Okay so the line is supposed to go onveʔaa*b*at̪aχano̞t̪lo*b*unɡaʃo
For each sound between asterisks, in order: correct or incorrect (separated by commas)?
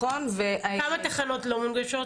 incorrect, incorrect